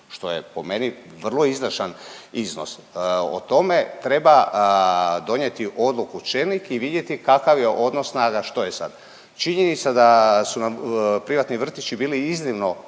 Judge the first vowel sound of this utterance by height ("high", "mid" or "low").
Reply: mid